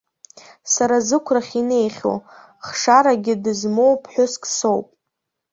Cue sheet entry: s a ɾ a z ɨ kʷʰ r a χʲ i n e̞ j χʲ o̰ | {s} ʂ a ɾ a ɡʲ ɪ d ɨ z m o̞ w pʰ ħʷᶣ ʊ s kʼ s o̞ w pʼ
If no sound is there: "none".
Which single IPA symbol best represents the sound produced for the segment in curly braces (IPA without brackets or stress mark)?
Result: χ